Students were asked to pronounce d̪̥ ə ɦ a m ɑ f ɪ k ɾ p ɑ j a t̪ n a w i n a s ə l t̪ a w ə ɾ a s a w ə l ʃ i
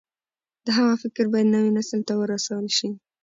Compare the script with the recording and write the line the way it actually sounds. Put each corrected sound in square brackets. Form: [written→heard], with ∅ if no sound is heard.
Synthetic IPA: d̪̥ ə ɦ a m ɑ f ɪ k ɾ [p→b] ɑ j a [t̪→d̪] n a w i n a s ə l t̪ a w ə ɾ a s a w ə l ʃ i

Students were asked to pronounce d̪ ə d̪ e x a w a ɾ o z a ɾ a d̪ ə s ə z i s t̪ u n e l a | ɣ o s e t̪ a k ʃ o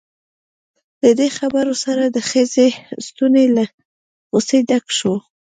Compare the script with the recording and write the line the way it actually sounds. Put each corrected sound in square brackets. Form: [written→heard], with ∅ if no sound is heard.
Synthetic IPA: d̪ ə d̪ e x a [w→b] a ɾ o [z→s] a ɾ a d̪ ə [s→x] ə z [i→e] s t̪ u n e l a | ɣ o s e [t̪→d̪] a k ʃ o

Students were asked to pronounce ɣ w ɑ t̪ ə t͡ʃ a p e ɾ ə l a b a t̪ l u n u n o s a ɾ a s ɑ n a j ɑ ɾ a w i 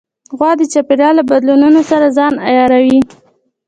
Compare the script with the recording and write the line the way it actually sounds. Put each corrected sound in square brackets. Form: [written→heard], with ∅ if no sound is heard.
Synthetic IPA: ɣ w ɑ [t̪→d̪] ə t͡ʃ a p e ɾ [ə→ɑ] l a b a [t̪→d̪] l u n u n o s a ɾ a [s→z] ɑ n a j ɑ ɾ a w i

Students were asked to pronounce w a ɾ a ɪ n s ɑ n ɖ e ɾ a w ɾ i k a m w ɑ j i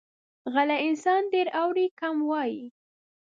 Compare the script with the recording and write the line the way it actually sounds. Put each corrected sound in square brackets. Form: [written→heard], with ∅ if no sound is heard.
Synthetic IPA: [w→ɣ] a [ɾ→l] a ɪ n s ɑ n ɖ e ɾ a w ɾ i k a m w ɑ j i

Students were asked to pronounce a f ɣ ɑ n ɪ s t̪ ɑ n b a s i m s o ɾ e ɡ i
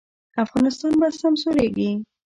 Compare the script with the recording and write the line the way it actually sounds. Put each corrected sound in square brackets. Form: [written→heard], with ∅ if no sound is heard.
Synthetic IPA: a f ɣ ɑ n ɪ s t̪ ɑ n b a s [i→a] m s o ɾ e ɡ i

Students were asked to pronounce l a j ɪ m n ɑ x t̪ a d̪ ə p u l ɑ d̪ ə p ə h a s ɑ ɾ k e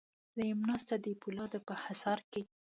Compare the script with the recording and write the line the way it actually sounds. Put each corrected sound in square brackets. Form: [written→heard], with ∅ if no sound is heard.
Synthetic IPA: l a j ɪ m n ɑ [x→s] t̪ a d̪ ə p u l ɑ d̪ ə p ə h a s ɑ ɾ k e

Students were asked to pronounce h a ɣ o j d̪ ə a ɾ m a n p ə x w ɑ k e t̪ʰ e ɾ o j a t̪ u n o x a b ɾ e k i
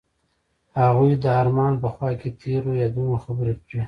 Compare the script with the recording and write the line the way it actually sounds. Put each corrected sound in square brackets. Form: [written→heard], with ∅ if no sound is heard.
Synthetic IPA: h a ɣ [o→u] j d̪ ə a ɾ m [a→ɑ] n p ə x w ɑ k e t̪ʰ e ɾ o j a [t̪→d̪] u n o x a b ɾ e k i

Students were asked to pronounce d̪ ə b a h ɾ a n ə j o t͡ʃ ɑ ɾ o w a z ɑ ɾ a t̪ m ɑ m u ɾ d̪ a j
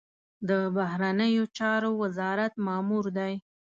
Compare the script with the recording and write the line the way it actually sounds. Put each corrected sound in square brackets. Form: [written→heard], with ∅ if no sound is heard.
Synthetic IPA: d̪ ə b a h ɾ a n ə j o t͡ʃ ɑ ɾ o w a z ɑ ɾ a t̪ m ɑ m u ɾ d̪ a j

